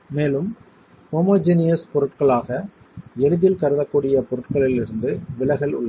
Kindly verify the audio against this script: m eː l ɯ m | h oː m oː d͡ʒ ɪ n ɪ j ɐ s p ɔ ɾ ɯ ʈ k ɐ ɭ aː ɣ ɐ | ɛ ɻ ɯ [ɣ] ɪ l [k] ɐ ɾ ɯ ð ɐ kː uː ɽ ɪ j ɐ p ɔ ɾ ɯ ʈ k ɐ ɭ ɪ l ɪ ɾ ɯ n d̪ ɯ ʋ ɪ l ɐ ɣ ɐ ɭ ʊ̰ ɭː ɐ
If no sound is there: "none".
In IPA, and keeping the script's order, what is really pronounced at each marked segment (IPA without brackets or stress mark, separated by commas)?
ð, k